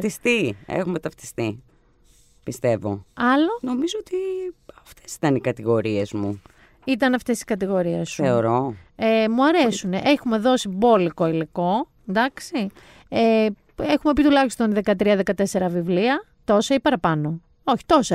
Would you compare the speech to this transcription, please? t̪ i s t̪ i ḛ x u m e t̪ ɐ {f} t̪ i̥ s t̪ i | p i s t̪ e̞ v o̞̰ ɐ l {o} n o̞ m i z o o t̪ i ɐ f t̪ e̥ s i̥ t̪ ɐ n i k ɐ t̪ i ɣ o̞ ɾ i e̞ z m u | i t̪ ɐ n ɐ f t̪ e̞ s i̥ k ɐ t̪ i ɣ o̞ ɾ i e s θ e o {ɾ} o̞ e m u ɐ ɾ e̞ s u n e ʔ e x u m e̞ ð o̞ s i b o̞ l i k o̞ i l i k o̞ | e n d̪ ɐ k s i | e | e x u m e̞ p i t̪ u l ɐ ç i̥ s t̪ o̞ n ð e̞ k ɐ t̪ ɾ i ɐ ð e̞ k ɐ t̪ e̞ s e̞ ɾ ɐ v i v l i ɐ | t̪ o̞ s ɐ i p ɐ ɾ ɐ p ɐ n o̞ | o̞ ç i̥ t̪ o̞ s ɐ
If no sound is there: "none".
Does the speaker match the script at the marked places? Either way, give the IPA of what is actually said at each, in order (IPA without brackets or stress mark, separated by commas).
f, o, ɾ